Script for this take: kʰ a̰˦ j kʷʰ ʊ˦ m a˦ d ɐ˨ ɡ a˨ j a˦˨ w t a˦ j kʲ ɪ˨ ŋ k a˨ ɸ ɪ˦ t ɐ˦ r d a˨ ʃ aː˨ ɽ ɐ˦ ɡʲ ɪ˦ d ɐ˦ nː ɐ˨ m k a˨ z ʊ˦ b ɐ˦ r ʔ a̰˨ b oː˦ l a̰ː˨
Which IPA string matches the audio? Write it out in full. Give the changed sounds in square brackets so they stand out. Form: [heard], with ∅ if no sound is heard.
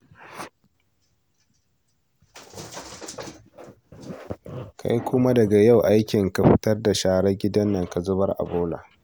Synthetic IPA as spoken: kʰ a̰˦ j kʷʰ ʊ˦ m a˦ d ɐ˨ ɡ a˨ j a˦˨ w [ʔ] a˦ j kʲ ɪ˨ ŋ k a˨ ɸ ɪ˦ t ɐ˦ r d a˨ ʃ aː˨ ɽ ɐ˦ ɡʲ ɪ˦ d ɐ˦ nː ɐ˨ [ŋ] k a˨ z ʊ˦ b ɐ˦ r ʔ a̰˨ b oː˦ l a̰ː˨